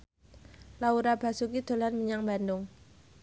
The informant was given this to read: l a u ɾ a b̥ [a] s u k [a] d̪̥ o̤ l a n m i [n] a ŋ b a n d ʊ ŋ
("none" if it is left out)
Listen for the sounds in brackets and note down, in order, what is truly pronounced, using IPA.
a, i, ɲ

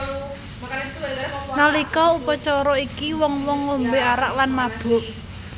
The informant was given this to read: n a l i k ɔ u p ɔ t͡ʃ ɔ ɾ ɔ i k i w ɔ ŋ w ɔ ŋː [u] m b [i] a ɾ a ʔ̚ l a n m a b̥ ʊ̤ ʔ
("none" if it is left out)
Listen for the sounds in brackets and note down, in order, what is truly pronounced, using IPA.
o, e

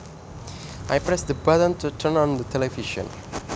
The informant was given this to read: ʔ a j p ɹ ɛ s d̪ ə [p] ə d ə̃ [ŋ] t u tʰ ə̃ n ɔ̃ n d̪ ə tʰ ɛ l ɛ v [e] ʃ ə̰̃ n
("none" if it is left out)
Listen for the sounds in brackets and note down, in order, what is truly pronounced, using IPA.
b, n, i

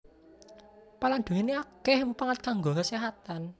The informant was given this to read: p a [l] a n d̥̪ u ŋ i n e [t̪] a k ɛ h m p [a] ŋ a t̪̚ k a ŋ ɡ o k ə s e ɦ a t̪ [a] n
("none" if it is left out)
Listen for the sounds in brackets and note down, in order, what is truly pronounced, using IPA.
l, none, a, a

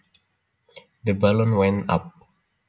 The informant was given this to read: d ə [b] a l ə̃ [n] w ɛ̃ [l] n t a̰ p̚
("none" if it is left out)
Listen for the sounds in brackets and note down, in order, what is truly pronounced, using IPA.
b, n, none

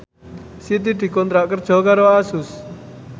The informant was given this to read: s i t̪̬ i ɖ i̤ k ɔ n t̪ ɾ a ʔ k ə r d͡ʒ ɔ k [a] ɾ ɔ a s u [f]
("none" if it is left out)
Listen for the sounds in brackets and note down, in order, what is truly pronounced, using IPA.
a, s

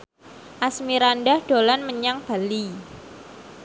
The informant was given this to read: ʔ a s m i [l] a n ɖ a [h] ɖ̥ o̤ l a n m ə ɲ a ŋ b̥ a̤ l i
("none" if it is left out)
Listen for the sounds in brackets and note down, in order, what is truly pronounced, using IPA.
ɾ, h

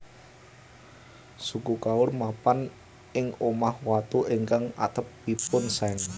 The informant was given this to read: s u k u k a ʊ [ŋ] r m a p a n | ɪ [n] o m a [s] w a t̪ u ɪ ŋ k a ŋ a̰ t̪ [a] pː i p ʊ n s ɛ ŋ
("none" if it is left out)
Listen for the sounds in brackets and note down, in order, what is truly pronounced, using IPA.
none, ŋ, h, ə

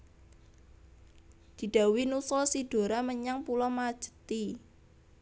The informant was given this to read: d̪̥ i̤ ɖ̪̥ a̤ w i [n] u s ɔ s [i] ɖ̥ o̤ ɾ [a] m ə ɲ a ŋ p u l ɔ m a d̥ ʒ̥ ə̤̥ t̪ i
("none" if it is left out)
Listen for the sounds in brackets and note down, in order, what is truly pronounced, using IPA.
n, i, a

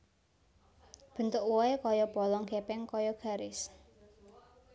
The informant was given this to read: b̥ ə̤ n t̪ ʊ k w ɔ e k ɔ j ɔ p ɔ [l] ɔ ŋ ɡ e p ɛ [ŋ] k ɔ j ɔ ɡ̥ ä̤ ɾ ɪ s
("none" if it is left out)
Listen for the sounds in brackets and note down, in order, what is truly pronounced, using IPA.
l, ŋ

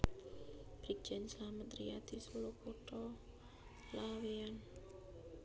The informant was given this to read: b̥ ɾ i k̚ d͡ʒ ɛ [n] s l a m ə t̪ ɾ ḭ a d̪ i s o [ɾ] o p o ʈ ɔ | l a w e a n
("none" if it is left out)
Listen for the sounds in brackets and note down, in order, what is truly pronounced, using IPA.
n, l

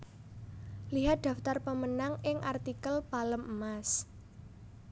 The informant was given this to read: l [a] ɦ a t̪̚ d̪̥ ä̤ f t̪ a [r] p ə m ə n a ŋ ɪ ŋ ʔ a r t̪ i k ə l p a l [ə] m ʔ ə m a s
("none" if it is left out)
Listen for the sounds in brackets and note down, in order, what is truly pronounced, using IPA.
i, r, ə

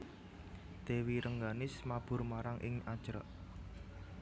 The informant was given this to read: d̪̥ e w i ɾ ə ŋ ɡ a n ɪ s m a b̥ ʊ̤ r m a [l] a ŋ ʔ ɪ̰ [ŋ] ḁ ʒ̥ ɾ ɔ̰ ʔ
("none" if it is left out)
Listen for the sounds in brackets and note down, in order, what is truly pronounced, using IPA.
ɾ, ŋ

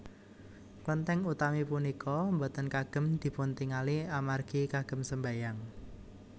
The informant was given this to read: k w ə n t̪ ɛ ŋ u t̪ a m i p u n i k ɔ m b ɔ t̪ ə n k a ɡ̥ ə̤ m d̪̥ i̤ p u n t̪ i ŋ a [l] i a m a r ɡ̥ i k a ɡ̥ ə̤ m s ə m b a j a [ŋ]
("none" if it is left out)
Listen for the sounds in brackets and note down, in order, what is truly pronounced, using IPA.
l, ŋ

